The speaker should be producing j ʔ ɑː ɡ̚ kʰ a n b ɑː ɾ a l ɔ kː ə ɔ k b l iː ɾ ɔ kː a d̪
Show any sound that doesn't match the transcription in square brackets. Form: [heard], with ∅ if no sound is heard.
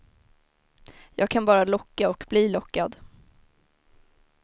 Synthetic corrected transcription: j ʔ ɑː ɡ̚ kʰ a n b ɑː ɾ a l ɔ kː [a] ɔ k b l iː [l] ɔ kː a d̪